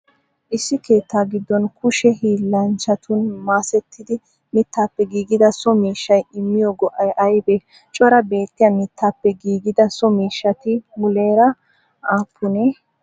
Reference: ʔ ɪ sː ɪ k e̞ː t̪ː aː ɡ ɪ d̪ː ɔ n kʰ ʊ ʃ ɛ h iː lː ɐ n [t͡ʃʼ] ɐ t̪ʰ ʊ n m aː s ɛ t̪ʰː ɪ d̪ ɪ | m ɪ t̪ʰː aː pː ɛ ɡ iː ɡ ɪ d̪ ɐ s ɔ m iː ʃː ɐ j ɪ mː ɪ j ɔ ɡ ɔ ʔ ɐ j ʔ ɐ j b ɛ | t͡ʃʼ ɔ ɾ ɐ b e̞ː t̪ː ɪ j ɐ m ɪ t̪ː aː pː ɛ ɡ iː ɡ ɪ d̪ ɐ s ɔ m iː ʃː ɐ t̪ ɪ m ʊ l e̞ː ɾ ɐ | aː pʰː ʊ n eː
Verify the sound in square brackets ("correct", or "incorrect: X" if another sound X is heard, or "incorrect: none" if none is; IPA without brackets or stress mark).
incorrect: t͡ʃ